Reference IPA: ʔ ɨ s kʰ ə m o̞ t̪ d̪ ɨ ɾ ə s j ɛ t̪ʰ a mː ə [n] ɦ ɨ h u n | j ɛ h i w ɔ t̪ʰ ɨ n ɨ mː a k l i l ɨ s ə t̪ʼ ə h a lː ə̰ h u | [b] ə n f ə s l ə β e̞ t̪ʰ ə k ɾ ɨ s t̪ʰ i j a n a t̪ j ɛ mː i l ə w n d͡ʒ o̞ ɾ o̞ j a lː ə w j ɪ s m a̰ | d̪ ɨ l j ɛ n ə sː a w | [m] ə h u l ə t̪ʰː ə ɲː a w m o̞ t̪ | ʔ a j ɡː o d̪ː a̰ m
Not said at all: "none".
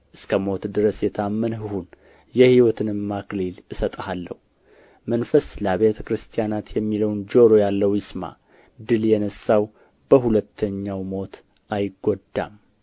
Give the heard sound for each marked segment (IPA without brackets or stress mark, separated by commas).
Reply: n, m, b